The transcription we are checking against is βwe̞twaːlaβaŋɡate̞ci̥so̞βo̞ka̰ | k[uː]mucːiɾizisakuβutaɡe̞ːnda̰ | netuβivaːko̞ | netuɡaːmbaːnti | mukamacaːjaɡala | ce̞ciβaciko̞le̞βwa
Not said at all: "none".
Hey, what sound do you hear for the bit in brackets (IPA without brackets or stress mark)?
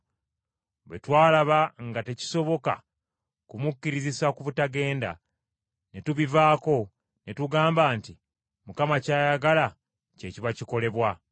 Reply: u